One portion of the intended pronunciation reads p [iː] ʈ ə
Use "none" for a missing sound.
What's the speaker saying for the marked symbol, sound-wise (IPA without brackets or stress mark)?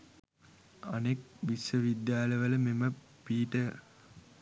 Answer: iː